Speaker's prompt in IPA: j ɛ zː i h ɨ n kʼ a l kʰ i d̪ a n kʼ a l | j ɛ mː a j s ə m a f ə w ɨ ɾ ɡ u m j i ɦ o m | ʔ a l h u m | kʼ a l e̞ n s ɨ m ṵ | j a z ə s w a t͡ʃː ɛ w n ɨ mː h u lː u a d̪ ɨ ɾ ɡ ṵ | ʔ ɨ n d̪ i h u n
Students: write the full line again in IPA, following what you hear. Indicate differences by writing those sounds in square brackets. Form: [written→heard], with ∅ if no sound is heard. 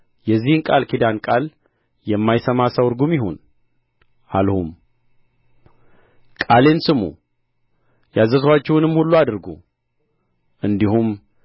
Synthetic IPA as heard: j ɛ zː i h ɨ n kʼ a l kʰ i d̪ a n kʼ a l | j ɛ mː a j s ə m a [f→s] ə w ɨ ɾ ɡ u m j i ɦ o [m→n] | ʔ a l h u m | kʼ a l e̞ n s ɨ m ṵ | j a z ə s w a t͡ʃː ɛ w n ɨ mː h u lː u a d̪ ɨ ɾ ɡ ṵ | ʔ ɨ n d̪ i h u [n→m]